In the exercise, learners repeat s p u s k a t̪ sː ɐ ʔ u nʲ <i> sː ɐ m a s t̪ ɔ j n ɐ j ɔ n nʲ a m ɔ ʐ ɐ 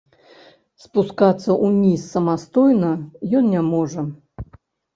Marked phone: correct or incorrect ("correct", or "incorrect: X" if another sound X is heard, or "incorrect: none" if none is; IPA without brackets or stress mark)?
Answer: correct